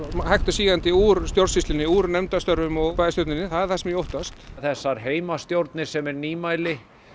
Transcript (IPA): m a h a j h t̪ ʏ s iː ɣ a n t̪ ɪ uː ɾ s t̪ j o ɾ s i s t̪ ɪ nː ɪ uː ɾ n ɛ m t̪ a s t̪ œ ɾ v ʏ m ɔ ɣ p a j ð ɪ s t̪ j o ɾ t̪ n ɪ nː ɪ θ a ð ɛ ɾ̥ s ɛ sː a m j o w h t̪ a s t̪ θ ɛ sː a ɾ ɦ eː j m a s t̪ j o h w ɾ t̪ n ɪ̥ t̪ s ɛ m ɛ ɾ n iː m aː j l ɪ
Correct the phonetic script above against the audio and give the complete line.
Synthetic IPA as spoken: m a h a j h t̪ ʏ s iː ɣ a n t̪ ɪ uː ɾ s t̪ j o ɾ s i s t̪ ɪ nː ɪ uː ɾ n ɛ m t̪ a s t̪ œ ɾ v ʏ m ɔ ɣ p a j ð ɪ s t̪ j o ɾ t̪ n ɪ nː ɪ θ a ð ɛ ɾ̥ θ ɛ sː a m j o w h t̪ a s t̪ θ ɛ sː a ɾ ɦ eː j m a s t̪ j o w ɾ t̪ n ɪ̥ s ɛ m ɛ ɾ n iː m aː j l ɪ